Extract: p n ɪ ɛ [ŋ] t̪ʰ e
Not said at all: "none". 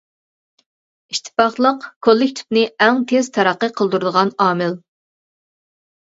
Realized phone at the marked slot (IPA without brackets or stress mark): ŋ